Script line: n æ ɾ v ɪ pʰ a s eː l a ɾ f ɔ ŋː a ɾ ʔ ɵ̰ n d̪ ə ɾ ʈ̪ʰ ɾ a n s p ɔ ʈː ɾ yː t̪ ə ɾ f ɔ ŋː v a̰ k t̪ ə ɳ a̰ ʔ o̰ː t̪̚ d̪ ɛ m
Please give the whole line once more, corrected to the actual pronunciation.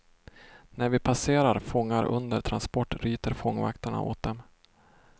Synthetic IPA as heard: n æ ɾ v ɪ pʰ a s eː ɾ a ɾ f ɔ ŋː a ɾ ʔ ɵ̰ n d̪ ə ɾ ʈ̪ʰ ɾ a n s p ɔ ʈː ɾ yː t̪ ə ɾ f ɔ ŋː v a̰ k t̪ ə ɳ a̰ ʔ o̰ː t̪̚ d̪ ɛ m